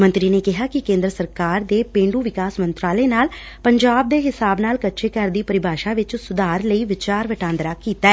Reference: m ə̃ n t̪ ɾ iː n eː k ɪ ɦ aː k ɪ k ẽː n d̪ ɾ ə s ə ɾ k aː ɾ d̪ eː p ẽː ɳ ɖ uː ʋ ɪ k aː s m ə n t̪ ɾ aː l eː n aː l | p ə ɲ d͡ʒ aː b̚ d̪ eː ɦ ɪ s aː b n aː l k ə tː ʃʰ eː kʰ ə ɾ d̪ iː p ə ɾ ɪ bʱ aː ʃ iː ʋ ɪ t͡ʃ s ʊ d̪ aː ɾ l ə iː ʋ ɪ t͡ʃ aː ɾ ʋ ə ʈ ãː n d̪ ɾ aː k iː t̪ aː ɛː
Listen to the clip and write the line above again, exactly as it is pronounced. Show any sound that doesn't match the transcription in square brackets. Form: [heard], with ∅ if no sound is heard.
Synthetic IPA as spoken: m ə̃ n t̪ ɾ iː n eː k ɪ ɦ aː k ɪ k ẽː n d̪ ɾ ə s ə ɾ k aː ɾ d̪ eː p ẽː ɳ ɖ uː ʋ ɪ k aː s m ə n t̪ ɾ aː l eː n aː l | p ə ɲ d͡ʒ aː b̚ d̪ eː ɦ ɪ s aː b n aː l k ə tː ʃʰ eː [k] ə ɾ d̪ iː p ə ɾ ɪ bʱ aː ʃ [aː] ʋ ɪ t͡ʃ s ʊ d̪ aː ɾ l ə iː ʋ ɪ t͡ʃ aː ɾ ʋ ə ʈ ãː n d̪ ɾ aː k iː t̪ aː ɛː